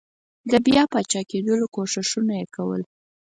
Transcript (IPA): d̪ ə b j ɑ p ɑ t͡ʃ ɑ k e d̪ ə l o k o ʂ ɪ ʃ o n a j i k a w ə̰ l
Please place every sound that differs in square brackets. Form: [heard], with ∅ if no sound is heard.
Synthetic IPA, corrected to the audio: d̪ ə b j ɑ p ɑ t͡ʃ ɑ k e d̪ ə l o k o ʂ ɪ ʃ [u] n a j [e] k a w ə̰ l